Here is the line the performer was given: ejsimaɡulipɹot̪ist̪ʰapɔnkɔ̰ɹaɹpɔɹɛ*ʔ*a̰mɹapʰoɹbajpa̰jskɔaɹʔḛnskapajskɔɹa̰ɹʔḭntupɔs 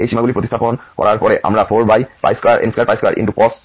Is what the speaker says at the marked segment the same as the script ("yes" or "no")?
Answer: yes